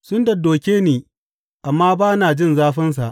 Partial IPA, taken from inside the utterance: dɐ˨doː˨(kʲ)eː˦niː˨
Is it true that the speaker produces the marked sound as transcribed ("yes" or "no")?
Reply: yes